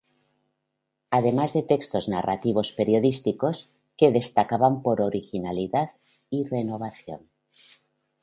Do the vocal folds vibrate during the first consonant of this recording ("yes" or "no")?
yes